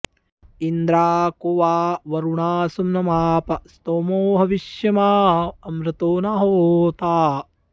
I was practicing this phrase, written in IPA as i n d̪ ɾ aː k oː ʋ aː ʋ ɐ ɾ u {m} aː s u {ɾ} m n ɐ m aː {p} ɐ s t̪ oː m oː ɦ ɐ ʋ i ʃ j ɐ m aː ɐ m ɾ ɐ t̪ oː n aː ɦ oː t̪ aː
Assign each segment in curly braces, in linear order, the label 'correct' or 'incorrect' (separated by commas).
incorrect, incorrect, correct